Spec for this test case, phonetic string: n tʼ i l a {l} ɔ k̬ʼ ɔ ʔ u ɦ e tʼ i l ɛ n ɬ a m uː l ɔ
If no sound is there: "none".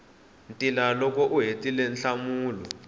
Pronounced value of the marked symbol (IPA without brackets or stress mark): l